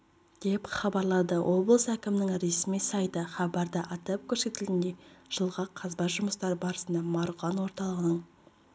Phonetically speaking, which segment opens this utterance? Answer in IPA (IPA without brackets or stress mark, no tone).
d̪̥